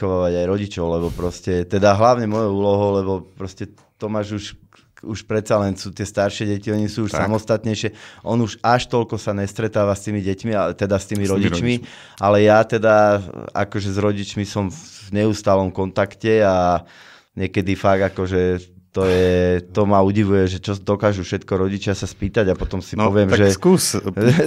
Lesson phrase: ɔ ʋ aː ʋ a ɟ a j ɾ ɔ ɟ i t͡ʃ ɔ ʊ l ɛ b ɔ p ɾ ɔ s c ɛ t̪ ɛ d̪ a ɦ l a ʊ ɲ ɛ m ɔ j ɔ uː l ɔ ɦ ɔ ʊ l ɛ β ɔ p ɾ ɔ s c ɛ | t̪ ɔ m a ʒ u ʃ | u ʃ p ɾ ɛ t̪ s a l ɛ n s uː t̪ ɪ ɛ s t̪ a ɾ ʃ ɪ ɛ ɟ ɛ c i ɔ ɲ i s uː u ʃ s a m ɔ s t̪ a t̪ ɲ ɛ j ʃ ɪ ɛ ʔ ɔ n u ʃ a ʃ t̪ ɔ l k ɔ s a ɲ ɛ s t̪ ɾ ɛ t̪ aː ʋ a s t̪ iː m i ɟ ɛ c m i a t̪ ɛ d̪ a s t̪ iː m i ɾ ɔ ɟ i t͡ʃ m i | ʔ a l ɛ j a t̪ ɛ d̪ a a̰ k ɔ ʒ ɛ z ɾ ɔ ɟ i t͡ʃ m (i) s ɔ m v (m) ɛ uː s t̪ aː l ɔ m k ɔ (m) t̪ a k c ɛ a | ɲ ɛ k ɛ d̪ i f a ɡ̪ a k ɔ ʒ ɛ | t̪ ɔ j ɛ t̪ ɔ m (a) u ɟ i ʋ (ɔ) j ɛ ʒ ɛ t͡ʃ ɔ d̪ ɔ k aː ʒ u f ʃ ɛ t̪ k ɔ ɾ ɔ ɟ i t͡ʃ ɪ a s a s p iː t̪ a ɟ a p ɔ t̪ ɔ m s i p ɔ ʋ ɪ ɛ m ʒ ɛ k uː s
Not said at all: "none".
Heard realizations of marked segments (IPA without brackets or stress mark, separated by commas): i, ɲ, n, a, u